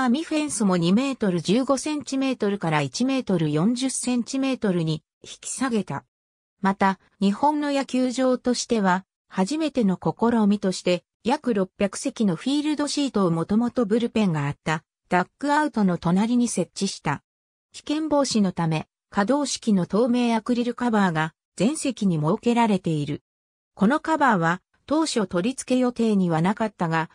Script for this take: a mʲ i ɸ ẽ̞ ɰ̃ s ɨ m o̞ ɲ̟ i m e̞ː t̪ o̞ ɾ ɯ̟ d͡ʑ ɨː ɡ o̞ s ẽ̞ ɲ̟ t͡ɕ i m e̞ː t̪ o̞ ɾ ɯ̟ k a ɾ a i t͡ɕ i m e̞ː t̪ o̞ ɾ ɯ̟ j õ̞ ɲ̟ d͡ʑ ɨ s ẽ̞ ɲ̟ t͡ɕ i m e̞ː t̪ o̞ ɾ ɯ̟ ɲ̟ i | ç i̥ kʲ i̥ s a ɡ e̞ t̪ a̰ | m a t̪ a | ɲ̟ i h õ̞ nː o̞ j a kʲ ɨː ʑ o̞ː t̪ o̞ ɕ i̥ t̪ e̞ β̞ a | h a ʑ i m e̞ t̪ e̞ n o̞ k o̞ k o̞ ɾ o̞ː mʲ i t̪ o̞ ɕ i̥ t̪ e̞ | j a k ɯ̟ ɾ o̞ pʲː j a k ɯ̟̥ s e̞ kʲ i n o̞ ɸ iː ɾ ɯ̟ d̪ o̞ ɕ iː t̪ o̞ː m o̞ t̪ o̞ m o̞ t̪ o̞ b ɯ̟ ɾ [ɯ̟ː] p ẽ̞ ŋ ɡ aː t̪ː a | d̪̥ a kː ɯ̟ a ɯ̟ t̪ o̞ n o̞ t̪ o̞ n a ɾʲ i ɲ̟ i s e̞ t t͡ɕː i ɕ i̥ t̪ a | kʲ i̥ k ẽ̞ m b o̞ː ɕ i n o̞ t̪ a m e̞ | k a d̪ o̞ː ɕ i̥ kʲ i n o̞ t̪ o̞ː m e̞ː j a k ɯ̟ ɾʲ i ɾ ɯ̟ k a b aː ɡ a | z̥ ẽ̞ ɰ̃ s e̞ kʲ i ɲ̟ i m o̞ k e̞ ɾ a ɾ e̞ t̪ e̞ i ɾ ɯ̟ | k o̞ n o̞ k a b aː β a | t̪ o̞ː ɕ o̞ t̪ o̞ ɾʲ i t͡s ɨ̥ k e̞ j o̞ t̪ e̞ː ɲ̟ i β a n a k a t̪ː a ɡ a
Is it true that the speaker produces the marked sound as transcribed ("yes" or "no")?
no